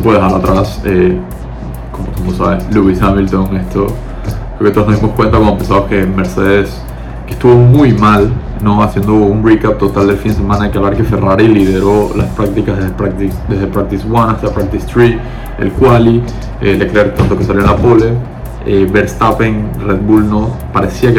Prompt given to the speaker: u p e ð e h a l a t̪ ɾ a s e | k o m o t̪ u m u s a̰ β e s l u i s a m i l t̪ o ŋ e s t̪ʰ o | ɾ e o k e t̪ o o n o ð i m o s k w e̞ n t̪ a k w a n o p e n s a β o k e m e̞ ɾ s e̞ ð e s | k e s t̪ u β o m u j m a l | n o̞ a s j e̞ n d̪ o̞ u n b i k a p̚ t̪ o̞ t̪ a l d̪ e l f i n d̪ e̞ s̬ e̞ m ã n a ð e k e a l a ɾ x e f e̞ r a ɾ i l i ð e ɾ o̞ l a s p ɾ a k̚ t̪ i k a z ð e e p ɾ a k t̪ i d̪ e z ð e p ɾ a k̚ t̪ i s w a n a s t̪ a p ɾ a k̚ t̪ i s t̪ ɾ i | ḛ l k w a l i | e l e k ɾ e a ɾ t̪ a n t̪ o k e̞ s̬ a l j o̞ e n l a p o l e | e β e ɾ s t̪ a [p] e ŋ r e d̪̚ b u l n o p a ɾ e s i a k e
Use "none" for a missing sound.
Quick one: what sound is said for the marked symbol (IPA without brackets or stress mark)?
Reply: p